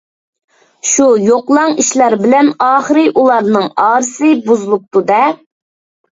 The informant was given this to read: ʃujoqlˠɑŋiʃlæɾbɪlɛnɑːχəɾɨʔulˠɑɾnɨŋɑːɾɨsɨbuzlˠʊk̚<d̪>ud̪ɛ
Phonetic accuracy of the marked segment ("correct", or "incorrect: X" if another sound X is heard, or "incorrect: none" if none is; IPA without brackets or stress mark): incorrect: t̪